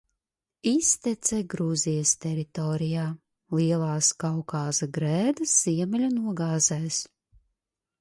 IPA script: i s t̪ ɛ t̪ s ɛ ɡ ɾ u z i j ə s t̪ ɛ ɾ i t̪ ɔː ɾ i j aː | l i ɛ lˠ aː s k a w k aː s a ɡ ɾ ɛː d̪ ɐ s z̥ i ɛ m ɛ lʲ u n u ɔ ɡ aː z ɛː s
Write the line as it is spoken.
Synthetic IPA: i s t̪ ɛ t̪ s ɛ ɡ ɾ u z i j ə s t̪ ɛ ɾ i t̪ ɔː ɾ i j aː | l i ɛ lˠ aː s k a w k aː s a ɡ ɾ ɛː d̪ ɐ s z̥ i ɛ m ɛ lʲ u n u ɔ ɡ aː z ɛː s